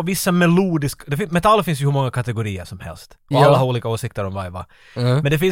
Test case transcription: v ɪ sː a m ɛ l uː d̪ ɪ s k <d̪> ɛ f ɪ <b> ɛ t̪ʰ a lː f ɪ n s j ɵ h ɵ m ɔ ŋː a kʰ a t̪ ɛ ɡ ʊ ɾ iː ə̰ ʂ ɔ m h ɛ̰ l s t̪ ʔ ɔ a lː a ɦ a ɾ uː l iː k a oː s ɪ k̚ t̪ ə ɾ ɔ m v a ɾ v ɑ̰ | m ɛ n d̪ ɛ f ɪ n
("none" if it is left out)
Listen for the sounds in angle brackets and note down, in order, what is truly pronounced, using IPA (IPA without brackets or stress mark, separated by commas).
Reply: d̪, m